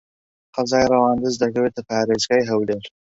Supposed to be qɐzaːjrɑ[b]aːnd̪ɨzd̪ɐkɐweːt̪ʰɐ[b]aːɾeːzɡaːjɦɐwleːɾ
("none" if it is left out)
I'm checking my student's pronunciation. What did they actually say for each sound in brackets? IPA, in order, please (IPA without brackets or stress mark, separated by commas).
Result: w, p